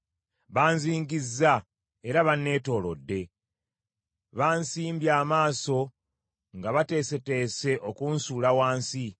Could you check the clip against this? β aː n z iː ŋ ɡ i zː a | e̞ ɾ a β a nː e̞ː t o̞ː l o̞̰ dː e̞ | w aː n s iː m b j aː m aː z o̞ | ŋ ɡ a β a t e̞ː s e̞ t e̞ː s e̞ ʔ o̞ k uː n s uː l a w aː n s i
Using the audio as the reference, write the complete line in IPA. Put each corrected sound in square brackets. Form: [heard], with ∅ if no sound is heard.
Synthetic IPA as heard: β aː n z iː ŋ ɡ i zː a | e̞ ɾ a β a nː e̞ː t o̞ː l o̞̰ dː e̞ | [β] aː n s iː m b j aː m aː [s] o̞ | ŋ ɡ a β a t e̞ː s e̞ t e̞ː s e̞ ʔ o̞ k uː n s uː l a w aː n s i

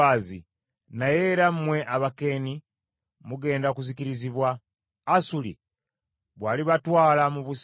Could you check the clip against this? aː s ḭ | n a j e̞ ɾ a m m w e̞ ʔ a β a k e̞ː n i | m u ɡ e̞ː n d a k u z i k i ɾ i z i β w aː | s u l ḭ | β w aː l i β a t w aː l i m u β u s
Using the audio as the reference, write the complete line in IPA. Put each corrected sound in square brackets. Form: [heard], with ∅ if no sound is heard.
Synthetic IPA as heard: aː [z] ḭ | n a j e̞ ɾ a m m w e̞ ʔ a β a k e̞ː n i | m u ɡ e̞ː n d a k u z i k i ɾ i z i β w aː | s u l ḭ | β w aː l i β a t w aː l [a] m u β u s

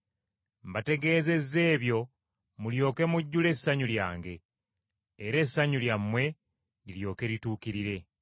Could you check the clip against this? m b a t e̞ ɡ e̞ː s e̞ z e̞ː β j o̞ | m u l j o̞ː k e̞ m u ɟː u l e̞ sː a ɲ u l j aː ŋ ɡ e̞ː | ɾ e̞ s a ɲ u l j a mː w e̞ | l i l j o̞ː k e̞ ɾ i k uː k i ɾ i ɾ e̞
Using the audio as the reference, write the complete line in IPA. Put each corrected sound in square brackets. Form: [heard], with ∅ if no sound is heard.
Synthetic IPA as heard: m b a t e̞ ɡ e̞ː [z] e̞ z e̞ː β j o̞ | m u l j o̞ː k e̞ m u ɟː u l e̞ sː a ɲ u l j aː ŋ ɡ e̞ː | ɾ e̞ s a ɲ u l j a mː w e̞ | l i l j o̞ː k e̞ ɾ i [t] uː k i ɾ i ɾ e̞

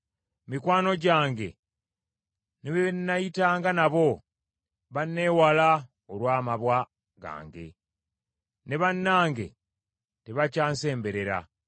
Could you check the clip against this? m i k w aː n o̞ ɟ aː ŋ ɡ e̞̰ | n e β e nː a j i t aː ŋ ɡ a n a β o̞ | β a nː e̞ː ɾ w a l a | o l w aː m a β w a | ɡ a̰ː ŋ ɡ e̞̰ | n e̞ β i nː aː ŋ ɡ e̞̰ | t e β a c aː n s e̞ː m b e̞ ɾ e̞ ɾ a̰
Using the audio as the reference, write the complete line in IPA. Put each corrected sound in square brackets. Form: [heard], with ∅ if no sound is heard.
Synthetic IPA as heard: m i k w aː n o̞ ɟ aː ŋ ɡ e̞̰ | n e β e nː a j i t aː ŋ ɡ a n a β o̞ | β a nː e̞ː [∅] w a l a | o l w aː m a β w a | ɡ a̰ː ŋ ɡ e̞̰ | n e̞ β [a] nː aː ŋ ɡ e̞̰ | t e β a c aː n s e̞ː m b e̞ ɾ e̞ ɾ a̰

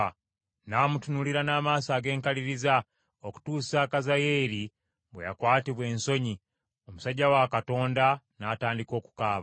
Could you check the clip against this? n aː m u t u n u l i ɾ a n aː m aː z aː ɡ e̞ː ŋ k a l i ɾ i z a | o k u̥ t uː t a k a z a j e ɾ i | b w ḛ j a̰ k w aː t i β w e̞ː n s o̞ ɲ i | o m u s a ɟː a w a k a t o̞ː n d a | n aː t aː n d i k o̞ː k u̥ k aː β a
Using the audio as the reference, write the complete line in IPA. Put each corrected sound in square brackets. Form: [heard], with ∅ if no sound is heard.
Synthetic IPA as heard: n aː m u t u n u l i ɾ a n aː m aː [s] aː ɡ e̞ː ŋ k a l i ɾ i z a | o k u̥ t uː [s] a k a z a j e ɾ i | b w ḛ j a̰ k w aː t i β w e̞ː n s o̞ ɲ i | o m u s a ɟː a w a k a t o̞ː n d a | n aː t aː n d i k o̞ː k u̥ k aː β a

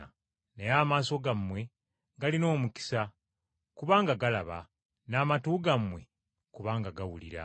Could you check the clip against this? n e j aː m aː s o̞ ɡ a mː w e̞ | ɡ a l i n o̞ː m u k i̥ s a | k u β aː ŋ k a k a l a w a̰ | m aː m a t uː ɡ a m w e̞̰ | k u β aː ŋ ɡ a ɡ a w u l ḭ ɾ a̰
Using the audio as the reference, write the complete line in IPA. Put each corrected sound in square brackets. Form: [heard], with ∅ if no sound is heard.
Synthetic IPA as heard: n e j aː m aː s o̞ ɡ a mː w e̞ | ɡ a l i n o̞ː m u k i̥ s a | k u β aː ŋ [ɡ] a [ɡ] a l a [β] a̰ | [n] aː m a t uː ɡ a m w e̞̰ | k u β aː ŋ ɡ a ɡ a w u l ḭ ɾ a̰

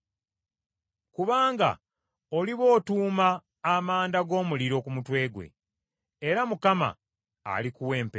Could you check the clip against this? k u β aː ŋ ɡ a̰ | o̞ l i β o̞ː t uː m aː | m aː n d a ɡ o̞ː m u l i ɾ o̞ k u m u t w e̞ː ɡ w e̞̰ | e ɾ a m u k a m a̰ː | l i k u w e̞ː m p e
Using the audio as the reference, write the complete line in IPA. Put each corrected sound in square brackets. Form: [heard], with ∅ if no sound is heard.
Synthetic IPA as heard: k u β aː ŋ ɡ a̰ | o̞ l i β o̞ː t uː m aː | m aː n d a ɡ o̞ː m u l i ɾ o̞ k u m u t w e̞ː ɡ w e̞̰ | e ɾ a m u k a m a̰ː | l i k u w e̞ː m p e

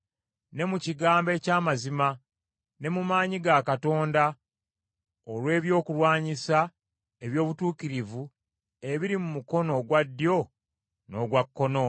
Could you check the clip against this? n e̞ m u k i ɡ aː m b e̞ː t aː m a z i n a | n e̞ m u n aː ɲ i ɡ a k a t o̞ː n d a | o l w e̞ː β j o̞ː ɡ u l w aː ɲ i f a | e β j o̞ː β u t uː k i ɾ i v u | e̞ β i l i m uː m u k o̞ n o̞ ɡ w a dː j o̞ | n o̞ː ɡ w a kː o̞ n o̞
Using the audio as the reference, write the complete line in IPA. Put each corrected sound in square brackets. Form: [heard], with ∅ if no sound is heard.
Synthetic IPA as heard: n e̞ m u [c] i ɡ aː m b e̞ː [c] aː m a z i [m] a | n e̞ m u [m] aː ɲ i ɡ a k a t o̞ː n d a | o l w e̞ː β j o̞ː [k] u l w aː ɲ i [s] a | e β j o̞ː β u t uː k i ɾ i v u | e̞ β i [ɾ] i m [u] m u k o̞ n o̞ ɡ w a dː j o̞ | n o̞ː ɡ w a kː o̞ n o̞

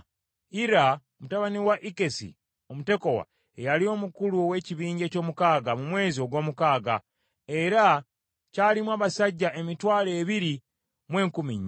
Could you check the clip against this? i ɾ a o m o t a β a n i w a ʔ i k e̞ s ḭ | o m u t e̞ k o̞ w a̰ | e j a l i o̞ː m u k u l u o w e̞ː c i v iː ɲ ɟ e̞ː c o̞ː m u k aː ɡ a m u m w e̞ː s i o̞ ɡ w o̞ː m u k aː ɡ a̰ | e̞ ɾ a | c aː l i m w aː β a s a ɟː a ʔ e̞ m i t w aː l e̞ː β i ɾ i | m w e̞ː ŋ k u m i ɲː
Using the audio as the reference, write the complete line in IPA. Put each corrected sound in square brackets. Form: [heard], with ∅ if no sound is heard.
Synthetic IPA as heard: i ɾ a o m [u] t a β a n i w a ʔ i k e̞ s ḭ | o m u t e̞ k o̞ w a̰ | e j a l i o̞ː m u k u l u o w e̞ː c i [β] iː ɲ ɟ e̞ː c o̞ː m u k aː ɡ a m u m w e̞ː [z] i o̞ ɡ w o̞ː m u k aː ɡ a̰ | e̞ ɾ a | c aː l i m w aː β a s a ɟː a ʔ e̞ m i t w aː l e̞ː β i ɾ i | m w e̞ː ŋ k u m i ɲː

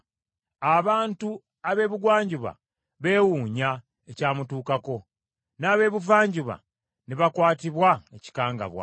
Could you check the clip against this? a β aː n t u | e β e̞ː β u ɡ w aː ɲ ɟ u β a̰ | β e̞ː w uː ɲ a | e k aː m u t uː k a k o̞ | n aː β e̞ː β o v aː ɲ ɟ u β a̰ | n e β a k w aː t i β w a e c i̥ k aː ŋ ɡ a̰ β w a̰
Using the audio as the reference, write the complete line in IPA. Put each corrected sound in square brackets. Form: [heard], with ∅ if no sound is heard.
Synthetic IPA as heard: a β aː n t u | [a] β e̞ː β u ɡ w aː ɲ ɟ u β a̰ | β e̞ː w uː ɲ a | e [c] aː m u t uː k a k o̞ | n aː β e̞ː β [u] v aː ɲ ɟ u β a̰ | n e β a k w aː t i β w a e c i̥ k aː ŋ ɡ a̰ β w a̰

